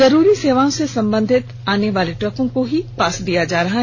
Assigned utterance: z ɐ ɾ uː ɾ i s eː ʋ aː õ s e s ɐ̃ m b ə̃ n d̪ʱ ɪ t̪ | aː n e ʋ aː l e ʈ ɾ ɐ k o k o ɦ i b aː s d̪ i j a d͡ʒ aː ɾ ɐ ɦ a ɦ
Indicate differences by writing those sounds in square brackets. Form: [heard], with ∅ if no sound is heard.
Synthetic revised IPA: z ɐ ɾ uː ɾ i s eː ʋ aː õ s e s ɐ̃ m b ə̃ n d̪ʱ ɪ t̪ | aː n e ʋ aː l e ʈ ɾ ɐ k [õ] k o ɦ i [p] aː s d̪ i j a d͡ʒ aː ɾ ɐ ɦ a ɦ